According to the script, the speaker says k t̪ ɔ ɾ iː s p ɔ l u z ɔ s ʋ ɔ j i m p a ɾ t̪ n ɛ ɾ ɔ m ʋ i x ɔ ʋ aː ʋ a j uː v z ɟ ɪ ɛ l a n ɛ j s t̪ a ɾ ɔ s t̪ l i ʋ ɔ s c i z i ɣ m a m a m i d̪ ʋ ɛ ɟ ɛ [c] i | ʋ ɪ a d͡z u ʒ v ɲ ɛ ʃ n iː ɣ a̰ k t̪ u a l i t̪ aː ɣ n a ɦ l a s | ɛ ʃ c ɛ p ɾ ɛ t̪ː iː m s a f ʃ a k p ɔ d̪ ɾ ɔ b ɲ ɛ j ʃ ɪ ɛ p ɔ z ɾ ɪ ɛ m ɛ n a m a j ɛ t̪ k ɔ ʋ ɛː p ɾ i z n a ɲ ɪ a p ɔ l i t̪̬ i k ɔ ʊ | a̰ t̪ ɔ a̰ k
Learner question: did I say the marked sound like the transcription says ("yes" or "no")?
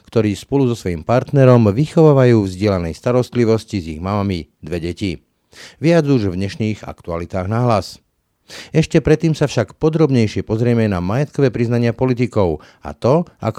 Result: yes